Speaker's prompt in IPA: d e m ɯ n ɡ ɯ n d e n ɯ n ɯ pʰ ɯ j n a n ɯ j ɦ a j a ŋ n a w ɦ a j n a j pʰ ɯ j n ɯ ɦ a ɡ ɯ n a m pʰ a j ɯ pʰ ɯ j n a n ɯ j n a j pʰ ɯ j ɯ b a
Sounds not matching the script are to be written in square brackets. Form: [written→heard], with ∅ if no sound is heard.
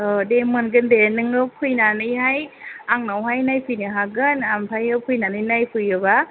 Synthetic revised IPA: d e m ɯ n ɡ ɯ n d e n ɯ [n→ŋ] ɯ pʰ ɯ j n a n ɯ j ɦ a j a ŋ n a w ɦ a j n a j pʰ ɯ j n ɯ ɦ a ɡ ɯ n a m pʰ a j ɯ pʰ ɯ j n a n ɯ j n a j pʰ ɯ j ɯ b a